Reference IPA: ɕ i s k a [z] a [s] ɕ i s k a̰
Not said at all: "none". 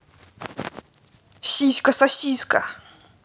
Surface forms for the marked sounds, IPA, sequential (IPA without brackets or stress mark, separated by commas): s, none